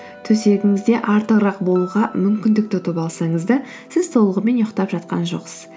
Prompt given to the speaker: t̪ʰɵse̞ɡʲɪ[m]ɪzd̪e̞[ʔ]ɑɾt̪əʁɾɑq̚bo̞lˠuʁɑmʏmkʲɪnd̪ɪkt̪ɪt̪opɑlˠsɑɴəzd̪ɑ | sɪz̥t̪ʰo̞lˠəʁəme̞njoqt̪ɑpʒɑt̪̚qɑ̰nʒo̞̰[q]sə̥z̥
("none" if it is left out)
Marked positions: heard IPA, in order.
ŋ, ʔ, q

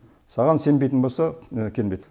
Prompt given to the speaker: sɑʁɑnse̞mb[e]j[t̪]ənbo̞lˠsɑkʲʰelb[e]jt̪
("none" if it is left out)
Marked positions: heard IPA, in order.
e, t̪, e

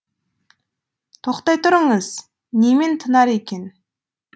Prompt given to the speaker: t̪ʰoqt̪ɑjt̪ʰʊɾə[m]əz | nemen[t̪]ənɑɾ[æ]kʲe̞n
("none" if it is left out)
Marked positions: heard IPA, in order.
ɴ, t̪ʰ, e

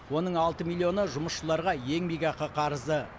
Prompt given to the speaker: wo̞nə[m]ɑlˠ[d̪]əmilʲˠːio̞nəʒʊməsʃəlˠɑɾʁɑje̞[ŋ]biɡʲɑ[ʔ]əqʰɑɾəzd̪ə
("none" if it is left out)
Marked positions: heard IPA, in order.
ɴ, t̪, ŋ, q

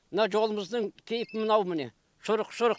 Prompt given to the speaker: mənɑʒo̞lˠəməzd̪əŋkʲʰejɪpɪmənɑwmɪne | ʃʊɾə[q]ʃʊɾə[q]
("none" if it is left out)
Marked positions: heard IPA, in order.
q, q

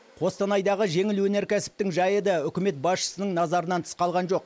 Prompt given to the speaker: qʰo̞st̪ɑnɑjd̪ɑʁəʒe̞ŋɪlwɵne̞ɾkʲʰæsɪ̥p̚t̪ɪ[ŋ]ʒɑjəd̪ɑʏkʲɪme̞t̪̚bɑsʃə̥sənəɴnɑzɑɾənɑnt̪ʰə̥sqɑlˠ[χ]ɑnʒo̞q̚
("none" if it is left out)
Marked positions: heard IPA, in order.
ŋ, ʁ

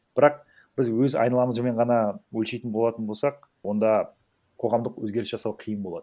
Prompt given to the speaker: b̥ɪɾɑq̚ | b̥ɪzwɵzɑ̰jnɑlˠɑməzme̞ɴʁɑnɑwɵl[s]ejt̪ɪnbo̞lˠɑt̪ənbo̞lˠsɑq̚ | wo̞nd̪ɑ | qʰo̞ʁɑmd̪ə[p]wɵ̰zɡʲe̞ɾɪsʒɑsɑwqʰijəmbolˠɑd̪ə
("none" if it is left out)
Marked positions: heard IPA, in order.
ʃ, q

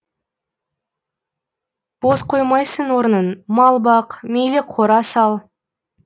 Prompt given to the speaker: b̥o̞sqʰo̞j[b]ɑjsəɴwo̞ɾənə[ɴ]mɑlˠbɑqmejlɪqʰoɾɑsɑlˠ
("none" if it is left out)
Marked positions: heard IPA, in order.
m, n

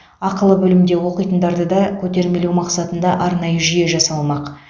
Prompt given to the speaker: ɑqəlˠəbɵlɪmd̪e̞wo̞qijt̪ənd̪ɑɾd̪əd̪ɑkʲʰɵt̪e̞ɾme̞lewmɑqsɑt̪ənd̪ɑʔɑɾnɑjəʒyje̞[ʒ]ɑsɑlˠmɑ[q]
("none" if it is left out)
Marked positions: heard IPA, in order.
ʒ, q

